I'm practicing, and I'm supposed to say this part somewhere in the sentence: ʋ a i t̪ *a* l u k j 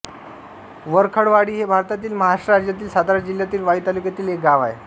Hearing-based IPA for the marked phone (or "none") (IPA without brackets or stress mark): a